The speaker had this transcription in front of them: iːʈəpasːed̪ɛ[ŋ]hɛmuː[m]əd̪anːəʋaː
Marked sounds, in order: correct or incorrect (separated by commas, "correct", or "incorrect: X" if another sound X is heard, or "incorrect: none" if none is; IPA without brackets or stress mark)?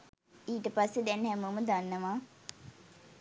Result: incorrect: n, correct